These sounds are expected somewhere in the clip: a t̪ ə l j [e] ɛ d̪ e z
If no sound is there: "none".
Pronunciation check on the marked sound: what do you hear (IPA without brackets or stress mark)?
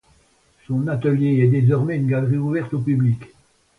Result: e